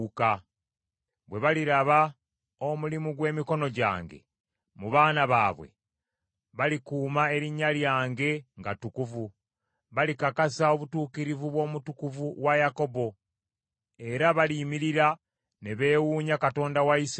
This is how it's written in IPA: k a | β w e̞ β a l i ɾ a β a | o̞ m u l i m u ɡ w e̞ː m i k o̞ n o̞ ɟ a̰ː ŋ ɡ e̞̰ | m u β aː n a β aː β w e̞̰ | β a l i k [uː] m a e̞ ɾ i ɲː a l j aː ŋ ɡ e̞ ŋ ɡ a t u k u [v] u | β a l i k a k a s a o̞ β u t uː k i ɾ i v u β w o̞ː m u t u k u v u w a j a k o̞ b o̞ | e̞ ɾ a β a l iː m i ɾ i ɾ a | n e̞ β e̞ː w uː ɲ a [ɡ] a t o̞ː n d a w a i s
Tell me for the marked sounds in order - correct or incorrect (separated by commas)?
correct, correct, incorrect